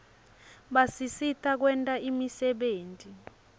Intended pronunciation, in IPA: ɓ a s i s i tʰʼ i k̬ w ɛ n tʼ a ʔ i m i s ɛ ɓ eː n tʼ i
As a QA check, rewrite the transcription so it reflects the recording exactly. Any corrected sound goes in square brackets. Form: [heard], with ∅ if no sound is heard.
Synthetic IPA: ɓ a s i s i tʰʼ [a] k̬ w ɛ n tʼ a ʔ i m i s ɛ ɓ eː n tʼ i